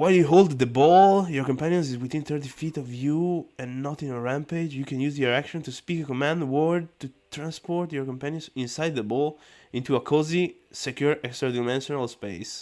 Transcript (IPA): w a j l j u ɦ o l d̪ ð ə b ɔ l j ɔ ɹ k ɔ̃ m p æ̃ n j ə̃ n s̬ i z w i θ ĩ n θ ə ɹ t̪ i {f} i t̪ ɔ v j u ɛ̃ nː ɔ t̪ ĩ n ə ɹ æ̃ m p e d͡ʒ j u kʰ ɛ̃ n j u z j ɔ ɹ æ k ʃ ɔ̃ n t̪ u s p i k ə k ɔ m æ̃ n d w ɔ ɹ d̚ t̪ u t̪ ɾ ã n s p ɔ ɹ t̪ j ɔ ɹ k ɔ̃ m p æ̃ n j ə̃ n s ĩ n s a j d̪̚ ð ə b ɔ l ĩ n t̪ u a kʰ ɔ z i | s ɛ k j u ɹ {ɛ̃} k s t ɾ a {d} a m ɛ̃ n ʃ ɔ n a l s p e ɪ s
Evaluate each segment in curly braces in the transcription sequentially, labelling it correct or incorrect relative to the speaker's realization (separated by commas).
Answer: correct, incorrect, correct